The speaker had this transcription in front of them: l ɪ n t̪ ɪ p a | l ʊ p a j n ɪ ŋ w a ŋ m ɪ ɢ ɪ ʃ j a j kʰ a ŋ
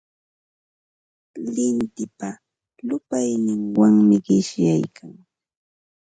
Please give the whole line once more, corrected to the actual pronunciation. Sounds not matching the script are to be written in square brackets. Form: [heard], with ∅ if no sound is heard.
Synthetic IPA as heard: l ɪ n t̪ ɪ p a | l ʊ p a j n ɪ ŋ w a ŋ m ɪ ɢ ɪ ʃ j a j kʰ a ŋ